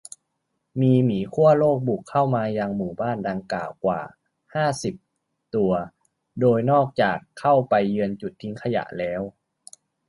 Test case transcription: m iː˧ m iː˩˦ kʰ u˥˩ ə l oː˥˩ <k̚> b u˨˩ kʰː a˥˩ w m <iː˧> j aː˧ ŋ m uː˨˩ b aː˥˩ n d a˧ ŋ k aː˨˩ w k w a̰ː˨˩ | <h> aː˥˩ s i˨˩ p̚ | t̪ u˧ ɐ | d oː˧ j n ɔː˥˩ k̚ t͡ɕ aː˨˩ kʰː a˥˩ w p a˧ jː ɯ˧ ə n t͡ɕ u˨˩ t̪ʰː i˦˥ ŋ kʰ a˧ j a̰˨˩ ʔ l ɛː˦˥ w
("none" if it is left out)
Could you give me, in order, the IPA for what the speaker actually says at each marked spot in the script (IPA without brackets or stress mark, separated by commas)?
k̚, aː˧, h